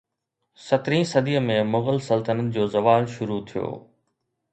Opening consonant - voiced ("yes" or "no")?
no